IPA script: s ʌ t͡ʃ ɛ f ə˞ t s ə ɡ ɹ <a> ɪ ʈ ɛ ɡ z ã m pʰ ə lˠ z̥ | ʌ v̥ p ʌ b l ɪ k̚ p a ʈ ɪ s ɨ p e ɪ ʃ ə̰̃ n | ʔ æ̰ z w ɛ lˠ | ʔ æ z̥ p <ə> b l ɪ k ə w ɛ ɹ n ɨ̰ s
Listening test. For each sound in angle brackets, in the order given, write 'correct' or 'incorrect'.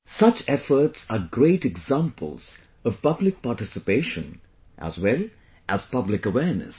incorrect, incorrect

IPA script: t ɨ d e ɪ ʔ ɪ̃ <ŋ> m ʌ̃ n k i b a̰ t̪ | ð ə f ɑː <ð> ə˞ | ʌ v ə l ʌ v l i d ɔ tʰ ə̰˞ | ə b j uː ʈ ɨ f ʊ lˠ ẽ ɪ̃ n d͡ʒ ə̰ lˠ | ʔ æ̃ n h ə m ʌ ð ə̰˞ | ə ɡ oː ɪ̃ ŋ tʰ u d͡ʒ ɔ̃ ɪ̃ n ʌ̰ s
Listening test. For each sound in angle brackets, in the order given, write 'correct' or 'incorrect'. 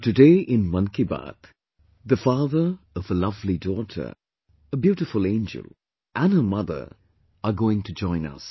incorrect, correct

